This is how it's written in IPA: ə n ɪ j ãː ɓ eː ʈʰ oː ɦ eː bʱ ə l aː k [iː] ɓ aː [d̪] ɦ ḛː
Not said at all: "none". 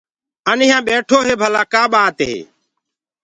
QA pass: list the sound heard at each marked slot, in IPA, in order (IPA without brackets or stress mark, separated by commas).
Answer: aː, t̪